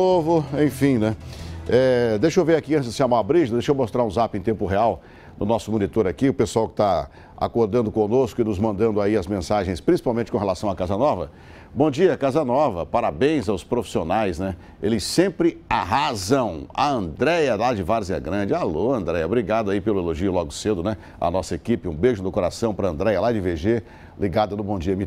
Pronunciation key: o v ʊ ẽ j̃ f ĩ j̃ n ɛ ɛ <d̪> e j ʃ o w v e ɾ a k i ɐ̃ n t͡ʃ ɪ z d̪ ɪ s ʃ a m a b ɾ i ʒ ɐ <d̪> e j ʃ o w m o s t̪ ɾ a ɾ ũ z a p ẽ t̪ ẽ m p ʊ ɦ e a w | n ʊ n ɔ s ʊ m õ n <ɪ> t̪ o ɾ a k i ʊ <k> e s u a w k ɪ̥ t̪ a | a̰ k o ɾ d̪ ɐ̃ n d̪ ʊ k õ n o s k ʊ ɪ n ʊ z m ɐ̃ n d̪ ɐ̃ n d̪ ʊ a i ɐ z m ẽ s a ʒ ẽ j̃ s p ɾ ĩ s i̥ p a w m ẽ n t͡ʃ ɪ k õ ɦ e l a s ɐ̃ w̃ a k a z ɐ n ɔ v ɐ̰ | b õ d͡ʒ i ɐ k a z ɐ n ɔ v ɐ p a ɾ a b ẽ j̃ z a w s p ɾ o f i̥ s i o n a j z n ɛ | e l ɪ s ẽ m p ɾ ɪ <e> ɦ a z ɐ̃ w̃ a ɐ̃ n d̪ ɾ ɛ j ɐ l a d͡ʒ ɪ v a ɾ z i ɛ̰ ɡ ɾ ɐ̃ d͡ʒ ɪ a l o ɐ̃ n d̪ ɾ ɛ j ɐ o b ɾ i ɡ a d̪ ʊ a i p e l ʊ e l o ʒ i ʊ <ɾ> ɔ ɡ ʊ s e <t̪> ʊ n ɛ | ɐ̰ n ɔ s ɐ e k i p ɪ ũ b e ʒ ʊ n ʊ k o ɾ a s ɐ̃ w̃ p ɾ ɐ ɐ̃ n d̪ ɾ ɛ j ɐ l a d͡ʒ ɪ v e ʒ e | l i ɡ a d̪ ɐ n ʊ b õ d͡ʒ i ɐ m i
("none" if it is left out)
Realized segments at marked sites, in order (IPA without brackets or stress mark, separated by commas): d̪, d̪, i, p, a, l, d̪